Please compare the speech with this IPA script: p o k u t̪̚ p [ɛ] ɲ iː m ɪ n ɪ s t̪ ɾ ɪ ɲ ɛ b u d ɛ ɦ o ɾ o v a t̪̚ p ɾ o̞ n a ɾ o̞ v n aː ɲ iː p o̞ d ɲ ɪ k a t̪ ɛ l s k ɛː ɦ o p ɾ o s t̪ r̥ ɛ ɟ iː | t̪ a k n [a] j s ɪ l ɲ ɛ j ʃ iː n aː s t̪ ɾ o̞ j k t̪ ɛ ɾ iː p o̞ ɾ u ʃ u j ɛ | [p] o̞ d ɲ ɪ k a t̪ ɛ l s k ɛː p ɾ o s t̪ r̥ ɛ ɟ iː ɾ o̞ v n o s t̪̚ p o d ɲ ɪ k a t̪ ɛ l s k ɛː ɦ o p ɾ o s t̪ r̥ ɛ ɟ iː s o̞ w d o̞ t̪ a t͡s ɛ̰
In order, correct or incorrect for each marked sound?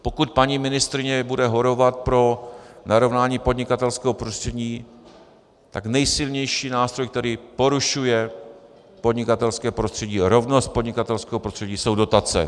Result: incorrect, incorrect, correct

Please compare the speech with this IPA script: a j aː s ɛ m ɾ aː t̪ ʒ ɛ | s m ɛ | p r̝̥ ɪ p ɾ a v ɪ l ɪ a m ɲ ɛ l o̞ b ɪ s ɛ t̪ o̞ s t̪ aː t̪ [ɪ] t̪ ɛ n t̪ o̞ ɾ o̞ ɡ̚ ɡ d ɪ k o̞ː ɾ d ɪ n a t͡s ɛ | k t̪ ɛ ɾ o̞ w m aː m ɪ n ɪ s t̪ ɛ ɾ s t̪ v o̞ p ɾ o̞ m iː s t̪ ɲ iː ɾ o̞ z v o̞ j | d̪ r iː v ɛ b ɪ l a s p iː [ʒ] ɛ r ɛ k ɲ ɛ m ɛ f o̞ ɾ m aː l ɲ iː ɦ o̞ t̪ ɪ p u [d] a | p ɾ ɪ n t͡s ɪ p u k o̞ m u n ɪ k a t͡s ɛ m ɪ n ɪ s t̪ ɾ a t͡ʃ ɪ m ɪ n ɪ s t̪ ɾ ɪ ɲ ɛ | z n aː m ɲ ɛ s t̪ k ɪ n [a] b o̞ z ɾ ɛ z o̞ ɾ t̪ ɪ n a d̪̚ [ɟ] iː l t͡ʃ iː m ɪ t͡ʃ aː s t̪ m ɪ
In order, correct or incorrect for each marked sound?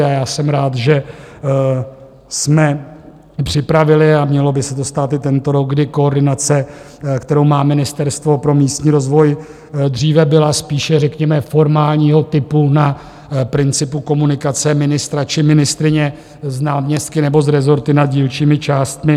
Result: correct, incorrect, incorrect, incorrect, correct

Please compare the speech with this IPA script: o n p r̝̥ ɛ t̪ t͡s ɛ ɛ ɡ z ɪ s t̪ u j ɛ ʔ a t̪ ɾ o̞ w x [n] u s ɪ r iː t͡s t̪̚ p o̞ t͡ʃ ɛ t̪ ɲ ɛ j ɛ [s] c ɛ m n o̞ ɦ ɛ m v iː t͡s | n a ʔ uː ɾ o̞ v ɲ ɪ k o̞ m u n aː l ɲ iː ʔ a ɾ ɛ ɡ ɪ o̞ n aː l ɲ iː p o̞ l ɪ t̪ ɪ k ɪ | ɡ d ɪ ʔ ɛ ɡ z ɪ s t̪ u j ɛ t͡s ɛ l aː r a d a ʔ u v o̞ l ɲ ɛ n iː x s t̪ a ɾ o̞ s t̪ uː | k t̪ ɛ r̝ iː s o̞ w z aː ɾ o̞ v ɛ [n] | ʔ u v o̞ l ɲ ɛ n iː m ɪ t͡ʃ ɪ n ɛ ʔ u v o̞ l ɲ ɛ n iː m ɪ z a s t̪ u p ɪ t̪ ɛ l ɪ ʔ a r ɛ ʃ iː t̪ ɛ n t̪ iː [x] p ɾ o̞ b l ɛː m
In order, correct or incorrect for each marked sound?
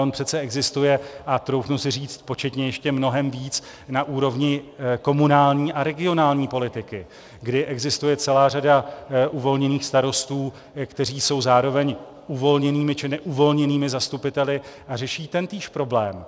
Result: correct, incorrect, incorrect, incorrect

